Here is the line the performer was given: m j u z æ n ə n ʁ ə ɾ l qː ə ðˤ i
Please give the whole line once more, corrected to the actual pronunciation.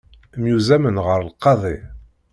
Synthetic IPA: m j u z æ m ə n ʁ ə ɾ l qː ɑ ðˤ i